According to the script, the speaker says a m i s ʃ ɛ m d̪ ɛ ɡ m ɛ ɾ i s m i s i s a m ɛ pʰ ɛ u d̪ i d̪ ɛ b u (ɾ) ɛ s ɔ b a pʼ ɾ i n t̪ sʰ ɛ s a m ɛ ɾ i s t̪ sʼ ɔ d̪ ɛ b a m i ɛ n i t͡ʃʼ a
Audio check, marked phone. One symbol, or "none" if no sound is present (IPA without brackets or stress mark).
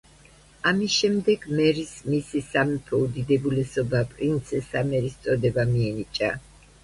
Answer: l